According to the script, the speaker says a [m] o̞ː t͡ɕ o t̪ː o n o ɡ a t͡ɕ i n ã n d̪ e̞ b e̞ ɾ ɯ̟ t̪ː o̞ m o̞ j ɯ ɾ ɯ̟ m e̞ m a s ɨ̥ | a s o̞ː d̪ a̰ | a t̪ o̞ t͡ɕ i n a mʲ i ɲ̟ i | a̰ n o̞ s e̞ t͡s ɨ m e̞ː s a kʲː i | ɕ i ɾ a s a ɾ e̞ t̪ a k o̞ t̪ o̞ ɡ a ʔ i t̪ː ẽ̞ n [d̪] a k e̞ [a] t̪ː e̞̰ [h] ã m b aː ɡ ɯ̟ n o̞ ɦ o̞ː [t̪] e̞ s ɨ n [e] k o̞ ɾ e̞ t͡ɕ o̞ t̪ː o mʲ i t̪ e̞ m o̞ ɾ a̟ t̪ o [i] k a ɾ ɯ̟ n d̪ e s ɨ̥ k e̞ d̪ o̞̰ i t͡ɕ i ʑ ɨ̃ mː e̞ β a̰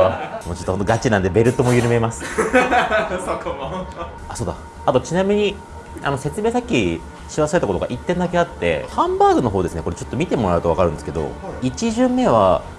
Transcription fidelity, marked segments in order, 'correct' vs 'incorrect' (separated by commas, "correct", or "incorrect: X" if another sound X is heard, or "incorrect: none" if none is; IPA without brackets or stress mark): correct, correct, correct, correct, incorrect: d̪, correct, incorrect: a